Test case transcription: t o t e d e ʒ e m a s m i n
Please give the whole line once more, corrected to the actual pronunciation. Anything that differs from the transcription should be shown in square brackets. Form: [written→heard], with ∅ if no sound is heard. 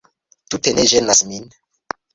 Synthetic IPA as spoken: t [o→u] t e [d→n] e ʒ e [m→n] a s m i n

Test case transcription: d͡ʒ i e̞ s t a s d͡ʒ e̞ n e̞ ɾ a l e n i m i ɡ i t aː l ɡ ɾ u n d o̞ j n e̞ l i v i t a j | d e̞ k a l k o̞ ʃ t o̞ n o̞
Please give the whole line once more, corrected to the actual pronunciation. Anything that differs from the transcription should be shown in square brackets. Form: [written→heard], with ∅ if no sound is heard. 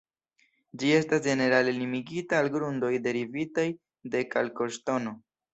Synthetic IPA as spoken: d͡ʒ i e̞ s t a s d͡ʒ e̞ n e̞ ɾ a l e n i m i ɡ i t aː l ɡ ɾ u n d o̞ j [n→d] e̞ [l→ɾ] i v i t a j | d e̞ k a l k o̞ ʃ t o̞ n o̞

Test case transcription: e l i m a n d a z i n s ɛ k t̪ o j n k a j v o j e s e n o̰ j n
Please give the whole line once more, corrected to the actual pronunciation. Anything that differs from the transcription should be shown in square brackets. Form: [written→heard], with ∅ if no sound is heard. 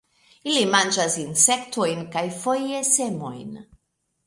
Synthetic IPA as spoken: [e→i] l i m a n [d→d͡ʒ] a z i n s ɛ k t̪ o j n k a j [v→f] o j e s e [n→m] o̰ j n

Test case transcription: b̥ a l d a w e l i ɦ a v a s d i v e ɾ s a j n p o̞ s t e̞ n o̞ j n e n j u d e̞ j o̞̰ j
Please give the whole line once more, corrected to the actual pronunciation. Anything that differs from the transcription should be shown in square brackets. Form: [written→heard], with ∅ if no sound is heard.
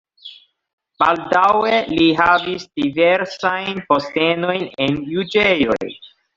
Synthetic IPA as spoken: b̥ a l d a w e l i ɦ a v [a→i] s d i v e ɾ s a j n p o̞ s t e̞ n o̞ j n e n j u [d→d͡ʒ] e̞ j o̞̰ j

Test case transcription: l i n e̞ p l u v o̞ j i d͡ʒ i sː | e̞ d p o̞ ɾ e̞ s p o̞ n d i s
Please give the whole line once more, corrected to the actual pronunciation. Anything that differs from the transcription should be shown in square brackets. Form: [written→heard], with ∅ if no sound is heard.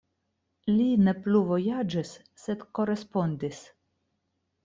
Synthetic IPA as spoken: l i n e̞ p l u v o̞ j [i→a] d͡ʒ i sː | e̞ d [p→k] o̞ ɾ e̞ s p o̞ n d i s

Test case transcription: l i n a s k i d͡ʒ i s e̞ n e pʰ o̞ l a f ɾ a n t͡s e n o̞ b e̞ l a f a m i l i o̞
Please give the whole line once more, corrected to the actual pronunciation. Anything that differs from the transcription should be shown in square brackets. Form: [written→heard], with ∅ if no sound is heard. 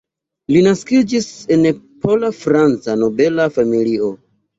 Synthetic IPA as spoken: l i n a s k i d͡ʒ i s e̞ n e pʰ o̞ l a f ɾ a n t͡s [e→a] n o̞ b e̞ l a f a m i l i o̞

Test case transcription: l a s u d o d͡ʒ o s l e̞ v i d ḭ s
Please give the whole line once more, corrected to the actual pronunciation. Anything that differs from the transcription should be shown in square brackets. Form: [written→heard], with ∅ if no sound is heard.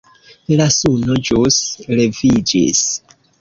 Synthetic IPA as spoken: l a s u [d→n] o d͡ʒ [o→u] s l e̞ v i [d→d͡ʒ] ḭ s

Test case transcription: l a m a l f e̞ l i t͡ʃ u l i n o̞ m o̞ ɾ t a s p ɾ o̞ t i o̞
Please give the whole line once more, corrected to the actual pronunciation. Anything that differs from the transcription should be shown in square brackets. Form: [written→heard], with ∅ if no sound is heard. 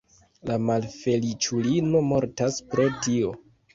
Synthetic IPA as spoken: l a m a l f e̞ l i t͡ʃ u l i n o̞ m o̞ ɾ t a s p ɾ o̞ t i o̞

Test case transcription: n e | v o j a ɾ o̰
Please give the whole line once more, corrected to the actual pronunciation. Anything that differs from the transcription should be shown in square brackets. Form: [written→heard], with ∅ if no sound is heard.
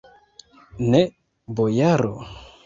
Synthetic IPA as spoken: n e | [v→b] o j a ɾ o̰

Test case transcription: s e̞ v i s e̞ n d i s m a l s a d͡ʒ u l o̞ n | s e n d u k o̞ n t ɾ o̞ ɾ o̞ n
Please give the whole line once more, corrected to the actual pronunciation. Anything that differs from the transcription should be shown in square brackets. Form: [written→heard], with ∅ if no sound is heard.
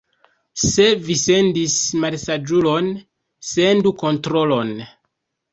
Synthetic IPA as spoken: s e̞ v i s e̞ n d i s m a l s a d͡ʒ u l o̞ n | s e n d u k o̞ n t ɾ o̞ [ɾ→l] o̞ n

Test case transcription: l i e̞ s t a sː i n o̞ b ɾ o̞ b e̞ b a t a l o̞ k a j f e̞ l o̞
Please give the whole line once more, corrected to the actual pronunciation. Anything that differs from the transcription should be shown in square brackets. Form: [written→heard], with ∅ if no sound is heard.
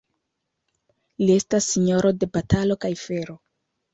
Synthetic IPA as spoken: l i e̞ s t a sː i [n→ɲ] o̞ [b→∅] ɾ o̞ [b→d] e̞ b a t a l o̞ k a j f e̞ [l→ɾ] o̞

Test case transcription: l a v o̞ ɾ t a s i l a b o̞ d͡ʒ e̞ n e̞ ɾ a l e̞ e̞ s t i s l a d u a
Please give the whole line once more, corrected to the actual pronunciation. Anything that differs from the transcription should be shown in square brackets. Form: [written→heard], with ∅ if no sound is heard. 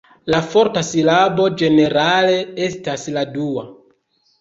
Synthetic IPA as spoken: l a [v→f] o̞ ɾ t a s i l a b o̞ d͡ʒ e̞ n e̞ ɾ a l e̞ e̞ s t [i→a] s l a d u a

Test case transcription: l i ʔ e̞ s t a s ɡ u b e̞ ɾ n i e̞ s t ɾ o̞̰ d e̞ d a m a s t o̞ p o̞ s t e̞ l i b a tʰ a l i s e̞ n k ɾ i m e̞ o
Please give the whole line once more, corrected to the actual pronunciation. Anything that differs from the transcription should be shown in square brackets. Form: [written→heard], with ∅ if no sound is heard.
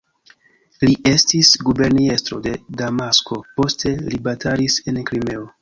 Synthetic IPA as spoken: l i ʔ e̞ s t [a→i] s ɡ u b e̞ ɾ n i e̞ s t ɾ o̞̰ d e̞ d a m a s [t→k] o̞ p o̞ s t e̞ l i b a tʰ a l i s e̞ n k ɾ i m e̞ o

